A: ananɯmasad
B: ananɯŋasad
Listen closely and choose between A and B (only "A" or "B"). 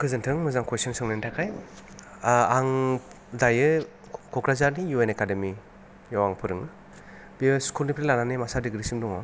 A